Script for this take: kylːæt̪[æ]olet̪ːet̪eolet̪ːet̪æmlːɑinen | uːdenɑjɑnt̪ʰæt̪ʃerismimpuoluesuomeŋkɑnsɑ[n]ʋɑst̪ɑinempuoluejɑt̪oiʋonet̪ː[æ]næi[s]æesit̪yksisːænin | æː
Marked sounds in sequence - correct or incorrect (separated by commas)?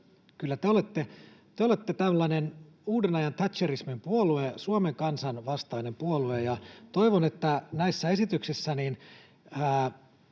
incorrect, correct, correct, incorrect